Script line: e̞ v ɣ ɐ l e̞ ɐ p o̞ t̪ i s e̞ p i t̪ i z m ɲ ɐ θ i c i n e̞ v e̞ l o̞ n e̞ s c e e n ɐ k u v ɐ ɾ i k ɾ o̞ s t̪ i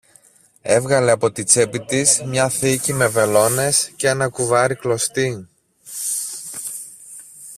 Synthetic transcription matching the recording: e̞ v ɣ ɐ l e̞ ɐ p o̞ t̪ i t͡s e̞ p i t̪ i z m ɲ ɐ θ i c i m e̞ v e̞ l o̞ n e̞ s c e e n ɐ k u v ɐ ɾ i k l o̞ s t̪ i